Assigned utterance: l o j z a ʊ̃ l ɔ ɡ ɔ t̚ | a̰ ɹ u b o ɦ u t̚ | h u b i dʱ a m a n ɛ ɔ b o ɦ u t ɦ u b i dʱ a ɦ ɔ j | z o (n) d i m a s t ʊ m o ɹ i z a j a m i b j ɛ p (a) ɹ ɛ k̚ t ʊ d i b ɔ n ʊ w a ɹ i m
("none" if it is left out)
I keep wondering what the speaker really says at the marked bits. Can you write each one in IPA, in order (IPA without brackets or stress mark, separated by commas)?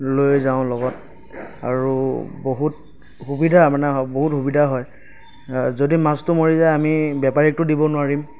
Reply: none, a